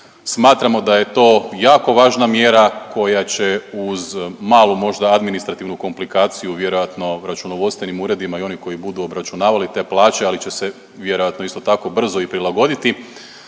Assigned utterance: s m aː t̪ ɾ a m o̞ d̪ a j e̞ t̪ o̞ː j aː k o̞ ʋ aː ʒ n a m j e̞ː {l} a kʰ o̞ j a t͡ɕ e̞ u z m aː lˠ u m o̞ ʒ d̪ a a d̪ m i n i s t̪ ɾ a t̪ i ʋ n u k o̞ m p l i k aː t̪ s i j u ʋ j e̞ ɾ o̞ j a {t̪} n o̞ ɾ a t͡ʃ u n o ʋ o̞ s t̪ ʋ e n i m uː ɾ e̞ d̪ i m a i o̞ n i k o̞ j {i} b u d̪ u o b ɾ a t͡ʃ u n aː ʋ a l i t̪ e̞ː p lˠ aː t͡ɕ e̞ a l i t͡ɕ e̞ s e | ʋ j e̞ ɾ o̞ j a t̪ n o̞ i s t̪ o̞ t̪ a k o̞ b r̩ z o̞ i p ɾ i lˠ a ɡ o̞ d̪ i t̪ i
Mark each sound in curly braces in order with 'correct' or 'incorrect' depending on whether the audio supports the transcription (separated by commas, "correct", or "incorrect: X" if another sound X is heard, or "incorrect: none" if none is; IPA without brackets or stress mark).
incorrect: ɾ, correct, correct